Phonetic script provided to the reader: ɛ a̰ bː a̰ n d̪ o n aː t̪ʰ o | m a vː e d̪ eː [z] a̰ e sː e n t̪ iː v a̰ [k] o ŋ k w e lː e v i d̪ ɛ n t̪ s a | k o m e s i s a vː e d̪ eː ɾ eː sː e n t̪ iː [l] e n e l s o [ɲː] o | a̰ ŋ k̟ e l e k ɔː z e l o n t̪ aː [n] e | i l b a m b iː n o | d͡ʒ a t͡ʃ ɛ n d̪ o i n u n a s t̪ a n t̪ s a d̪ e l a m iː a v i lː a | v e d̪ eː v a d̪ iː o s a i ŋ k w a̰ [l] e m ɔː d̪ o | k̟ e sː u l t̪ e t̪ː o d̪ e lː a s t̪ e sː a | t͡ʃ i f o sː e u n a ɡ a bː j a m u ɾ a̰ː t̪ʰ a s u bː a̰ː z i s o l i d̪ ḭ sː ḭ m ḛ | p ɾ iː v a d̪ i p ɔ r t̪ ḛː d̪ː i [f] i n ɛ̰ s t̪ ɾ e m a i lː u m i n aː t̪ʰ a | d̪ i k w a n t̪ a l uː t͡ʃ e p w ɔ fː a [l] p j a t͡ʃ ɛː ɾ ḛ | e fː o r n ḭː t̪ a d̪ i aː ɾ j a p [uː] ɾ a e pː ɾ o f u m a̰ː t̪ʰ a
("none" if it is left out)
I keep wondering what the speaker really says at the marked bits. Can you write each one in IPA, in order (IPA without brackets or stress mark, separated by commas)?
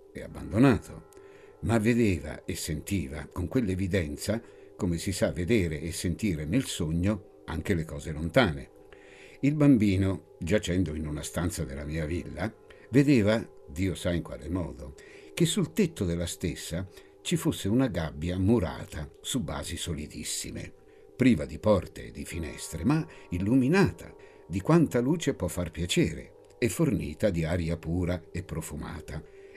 v, k, ɾ, ɲː, n, l, f, r, uː